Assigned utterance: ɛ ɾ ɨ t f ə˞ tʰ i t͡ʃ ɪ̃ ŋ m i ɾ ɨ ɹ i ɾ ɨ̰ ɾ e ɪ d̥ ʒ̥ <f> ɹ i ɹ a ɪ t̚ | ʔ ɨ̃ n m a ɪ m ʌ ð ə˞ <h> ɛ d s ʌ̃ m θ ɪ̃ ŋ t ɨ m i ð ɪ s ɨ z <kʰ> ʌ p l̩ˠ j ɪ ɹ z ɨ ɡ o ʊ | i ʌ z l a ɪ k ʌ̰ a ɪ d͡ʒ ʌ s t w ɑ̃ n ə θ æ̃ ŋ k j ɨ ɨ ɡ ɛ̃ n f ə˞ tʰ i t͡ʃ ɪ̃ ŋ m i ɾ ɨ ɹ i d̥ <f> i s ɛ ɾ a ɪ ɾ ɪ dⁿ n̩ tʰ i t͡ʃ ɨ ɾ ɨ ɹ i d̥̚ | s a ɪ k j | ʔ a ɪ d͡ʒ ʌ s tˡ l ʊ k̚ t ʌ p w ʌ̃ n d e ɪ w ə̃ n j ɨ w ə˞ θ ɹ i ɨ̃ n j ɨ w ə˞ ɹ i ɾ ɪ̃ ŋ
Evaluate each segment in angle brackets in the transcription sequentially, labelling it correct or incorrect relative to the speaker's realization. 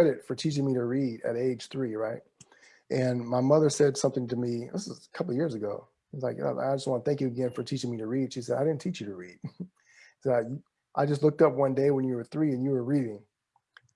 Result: incorrect: θ, incorrect: s, correct, incorrect: ʃ

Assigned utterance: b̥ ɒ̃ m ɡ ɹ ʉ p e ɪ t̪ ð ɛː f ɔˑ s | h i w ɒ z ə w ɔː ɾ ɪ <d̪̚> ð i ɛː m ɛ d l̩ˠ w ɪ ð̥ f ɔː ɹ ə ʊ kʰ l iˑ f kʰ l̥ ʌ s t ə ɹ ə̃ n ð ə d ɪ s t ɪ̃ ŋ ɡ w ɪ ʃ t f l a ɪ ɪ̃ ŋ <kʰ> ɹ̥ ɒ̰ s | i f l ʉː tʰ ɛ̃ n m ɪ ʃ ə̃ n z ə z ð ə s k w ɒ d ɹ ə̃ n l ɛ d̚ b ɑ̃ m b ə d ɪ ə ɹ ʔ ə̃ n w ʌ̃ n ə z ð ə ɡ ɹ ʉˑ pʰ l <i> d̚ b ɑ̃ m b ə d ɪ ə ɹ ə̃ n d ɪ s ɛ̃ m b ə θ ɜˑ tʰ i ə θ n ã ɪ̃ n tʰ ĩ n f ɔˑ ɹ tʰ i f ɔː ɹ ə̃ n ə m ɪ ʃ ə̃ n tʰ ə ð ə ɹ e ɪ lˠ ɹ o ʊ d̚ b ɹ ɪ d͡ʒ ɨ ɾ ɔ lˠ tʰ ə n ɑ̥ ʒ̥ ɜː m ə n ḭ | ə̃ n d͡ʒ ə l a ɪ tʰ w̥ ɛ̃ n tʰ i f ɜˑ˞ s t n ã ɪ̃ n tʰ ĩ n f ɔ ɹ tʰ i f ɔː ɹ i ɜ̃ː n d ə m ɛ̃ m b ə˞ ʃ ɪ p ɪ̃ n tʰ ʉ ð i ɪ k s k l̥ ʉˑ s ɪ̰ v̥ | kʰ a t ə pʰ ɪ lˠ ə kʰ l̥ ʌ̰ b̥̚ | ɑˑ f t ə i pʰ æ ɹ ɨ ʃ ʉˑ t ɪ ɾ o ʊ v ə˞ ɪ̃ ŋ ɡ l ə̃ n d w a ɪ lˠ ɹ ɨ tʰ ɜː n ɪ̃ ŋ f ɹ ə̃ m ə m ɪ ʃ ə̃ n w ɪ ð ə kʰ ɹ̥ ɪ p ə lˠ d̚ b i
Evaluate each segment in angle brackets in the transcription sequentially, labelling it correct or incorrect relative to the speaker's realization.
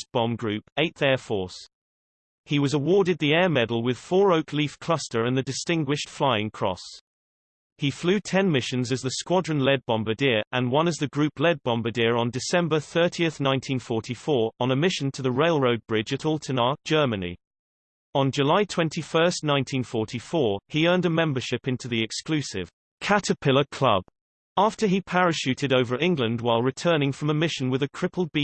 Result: correct, correct, incorrect: ɛ

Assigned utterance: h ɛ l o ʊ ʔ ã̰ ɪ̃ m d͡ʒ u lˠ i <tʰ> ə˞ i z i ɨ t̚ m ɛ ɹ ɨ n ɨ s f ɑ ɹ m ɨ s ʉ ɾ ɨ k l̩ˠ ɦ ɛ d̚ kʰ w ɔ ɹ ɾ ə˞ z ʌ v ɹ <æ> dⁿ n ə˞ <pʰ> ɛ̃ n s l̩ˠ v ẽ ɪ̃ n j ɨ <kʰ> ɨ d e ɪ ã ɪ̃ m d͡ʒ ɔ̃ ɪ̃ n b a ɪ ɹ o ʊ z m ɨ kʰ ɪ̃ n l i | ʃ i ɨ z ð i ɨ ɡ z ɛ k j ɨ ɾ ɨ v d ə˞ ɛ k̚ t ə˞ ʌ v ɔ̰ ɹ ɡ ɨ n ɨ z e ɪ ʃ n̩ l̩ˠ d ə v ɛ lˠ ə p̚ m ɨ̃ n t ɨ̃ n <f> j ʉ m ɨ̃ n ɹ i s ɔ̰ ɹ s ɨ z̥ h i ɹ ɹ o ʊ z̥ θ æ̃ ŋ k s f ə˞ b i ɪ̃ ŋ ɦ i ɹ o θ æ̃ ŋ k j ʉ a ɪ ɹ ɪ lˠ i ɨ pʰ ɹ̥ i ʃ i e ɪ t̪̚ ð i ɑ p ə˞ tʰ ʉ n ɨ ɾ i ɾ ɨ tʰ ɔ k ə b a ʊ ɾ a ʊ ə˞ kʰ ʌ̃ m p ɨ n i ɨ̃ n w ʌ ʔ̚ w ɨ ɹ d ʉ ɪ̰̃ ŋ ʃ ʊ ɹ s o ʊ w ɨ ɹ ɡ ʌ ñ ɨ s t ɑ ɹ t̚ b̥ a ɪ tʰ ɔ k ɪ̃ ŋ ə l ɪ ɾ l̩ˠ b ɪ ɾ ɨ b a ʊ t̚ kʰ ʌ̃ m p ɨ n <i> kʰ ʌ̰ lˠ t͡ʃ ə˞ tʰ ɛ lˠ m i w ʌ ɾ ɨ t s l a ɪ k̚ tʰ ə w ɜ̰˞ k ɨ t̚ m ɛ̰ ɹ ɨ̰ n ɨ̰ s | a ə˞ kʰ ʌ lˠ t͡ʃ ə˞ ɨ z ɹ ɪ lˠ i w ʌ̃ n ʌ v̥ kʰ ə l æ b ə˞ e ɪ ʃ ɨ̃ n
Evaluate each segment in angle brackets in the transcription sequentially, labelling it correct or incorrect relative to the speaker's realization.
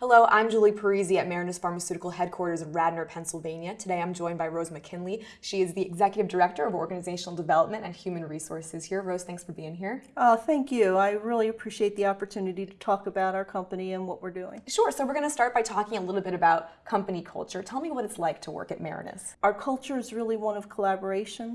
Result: incorrect: pʰ, correct, correct, incorrect: tʰ, incorrect: h, correct

